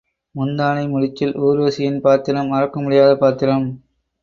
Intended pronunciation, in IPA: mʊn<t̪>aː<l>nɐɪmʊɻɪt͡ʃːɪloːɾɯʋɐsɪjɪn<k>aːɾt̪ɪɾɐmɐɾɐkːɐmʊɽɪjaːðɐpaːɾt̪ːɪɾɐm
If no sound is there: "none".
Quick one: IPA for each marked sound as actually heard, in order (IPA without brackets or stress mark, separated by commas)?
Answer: d̪, none, p